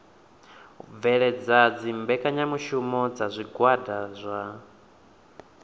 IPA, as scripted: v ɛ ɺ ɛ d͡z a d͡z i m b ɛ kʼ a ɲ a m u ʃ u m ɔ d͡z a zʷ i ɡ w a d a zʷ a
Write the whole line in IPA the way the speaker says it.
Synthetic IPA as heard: v ɛ ɺ ɛ d͡z a d͡z i m b ɛ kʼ a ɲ a m u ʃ u m ɔ d͡z a zʷ i ɡ w a d a zʷ a